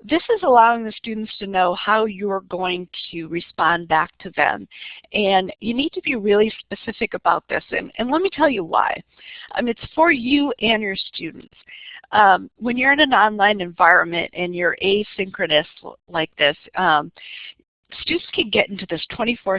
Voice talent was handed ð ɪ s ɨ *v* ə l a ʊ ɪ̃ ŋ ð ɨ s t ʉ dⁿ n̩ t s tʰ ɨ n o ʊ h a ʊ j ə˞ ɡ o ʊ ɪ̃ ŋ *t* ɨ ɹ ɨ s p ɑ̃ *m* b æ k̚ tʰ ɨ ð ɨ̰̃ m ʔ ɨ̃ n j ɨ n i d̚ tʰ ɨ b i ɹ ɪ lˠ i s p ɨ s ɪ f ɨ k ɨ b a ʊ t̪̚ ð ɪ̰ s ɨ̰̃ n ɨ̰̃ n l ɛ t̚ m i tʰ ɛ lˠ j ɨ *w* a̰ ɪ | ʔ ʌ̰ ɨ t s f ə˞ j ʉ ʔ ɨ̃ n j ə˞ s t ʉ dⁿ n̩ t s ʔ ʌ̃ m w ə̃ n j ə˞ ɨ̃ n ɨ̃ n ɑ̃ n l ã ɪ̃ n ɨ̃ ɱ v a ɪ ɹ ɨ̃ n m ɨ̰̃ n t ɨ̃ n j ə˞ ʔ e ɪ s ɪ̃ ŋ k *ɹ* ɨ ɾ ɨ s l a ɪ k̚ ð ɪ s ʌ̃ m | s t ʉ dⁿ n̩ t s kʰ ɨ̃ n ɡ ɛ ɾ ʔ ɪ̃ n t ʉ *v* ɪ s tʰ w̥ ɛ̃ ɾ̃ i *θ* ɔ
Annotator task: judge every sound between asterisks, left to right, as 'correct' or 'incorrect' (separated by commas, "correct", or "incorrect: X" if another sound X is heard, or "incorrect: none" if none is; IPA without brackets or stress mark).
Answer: incorrect: z, incorrect: tʰ, incorrect: n, correct, correct, incorrect: ð, incorrect: f